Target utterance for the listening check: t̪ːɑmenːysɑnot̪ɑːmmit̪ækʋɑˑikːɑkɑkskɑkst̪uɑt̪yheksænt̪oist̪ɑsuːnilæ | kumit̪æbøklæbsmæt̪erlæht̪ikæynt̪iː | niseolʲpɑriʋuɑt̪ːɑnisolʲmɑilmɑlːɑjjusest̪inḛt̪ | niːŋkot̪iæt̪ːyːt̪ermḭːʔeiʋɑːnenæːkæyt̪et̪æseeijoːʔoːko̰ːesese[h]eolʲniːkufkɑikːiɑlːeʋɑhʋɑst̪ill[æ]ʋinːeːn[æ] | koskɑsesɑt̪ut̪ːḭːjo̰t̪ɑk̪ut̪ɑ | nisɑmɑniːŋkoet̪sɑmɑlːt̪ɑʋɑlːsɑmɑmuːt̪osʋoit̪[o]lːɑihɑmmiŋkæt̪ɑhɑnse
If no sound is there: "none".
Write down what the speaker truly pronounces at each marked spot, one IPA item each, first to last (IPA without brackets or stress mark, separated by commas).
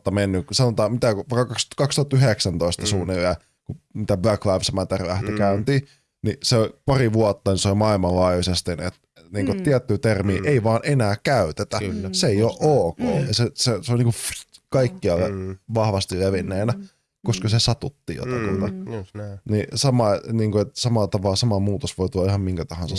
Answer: s, e, æ, u